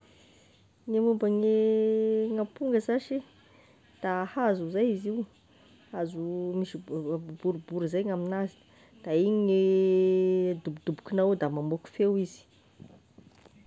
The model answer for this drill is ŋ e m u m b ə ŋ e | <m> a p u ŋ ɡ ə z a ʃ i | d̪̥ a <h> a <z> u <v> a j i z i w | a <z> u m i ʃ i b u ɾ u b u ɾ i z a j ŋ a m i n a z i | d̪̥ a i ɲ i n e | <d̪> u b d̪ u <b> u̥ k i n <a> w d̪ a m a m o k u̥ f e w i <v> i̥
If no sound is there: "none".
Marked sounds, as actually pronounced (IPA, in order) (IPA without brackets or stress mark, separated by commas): ŋ, h, z, z, z, d̪, b, a, z